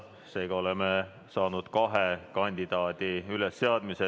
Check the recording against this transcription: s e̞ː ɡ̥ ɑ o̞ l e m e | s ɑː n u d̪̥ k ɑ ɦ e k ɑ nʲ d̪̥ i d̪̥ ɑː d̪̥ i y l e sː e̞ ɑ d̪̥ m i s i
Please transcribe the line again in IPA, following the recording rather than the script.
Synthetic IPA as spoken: s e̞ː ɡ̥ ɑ o̞ l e m e | s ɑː n u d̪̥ k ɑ ɦ e k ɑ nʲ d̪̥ i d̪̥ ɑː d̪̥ i y l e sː e̞ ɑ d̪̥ m i s e